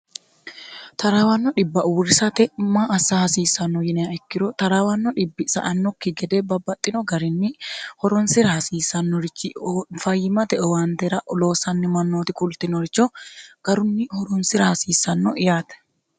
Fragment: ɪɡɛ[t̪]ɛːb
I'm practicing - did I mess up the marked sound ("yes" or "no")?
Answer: yes